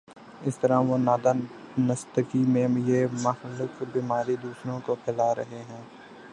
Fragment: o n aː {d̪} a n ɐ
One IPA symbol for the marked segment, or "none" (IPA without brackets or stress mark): d̪